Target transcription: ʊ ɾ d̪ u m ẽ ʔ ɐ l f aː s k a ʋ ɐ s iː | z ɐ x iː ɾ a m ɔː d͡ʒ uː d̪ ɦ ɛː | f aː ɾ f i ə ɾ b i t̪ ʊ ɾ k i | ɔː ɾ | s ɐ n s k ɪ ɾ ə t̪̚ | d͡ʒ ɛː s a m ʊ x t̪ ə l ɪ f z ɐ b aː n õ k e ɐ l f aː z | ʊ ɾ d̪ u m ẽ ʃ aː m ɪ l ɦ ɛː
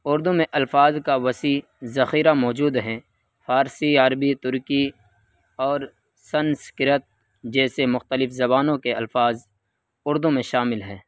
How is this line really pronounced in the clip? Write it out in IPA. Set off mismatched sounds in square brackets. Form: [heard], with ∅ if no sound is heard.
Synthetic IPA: ʊ ɾ d̪ u m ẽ ʔ ɐ l f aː [z] k a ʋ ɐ s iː | z ɐ x iː ɾ a m ɔː d͡ʒ uː d̪ ɦ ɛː | f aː ɾ [s] i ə ɾ b i t̪ ʊ ɾ k i | ɔː ɾ | s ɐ n s k ɪ ɾ ə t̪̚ | d͡ʒ ɛː s [e] m ʊ x t̪ ə l ɪ f z ɐ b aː n õ k e ɐ l f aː z | ʊ ɾ d̪ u m ẽ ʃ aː m ɪ l ɦ ɛː